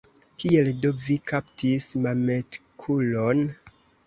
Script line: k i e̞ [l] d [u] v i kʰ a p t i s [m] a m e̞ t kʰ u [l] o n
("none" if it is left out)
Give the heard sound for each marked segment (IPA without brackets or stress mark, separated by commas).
l, o, m, l